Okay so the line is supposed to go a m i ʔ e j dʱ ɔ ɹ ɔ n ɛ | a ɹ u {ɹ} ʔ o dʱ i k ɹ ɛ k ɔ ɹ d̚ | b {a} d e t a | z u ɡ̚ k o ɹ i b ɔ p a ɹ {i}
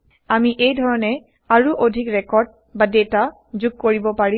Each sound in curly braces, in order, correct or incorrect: incorrect, correct, correct

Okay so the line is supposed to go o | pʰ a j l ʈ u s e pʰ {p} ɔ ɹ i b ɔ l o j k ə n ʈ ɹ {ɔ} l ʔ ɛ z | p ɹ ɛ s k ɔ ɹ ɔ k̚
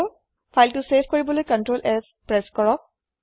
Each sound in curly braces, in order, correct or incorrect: incorrect, incorrect

